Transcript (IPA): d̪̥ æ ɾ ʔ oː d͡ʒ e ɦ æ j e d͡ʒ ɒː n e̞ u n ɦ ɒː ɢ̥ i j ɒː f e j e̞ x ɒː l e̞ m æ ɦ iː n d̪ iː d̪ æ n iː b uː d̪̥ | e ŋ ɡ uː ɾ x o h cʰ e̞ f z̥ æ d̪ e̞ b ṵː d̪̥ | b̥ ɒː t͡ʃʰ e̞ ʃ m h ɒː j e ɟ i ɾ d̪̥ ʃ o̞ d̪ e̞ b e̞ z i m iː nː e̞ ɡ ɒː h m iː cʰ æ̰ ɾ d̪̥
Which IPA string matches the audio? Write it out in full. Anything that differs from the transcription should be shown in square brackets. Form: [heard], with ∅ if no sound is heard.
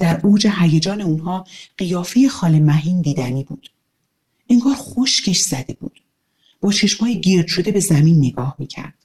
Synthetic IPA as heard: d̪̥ æ ɾ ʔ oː d͡ʒ e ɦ æ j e d͡ʒ ɒː n e̞ u n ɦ ɒː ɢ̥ i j ɒː f e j e̞ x ɒː l e̞ m æ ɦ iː n d̪ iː d̪ æ n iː b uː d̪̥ | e ŋ ɡ [ɒː] ɾ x o [ʃ] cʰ e̞ [ʃ] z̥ æ d̪ e̞ b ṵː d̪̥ | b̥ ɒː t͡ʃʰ e̞ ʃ m h ɒː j e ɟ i ɾ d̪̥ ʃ o̞ d̪ e̞ b e̞ z [æ] m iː nː e̞ ɡ ɒː h m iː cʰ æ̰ ɾ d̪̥